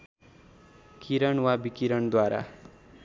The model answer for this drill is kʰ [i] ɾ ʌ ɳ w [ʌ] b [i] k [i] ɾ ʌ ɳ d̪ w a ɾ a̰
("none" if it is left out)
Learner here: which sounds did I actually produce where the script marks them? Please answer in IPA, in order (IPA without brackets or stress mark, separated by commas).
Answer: i, a, i, i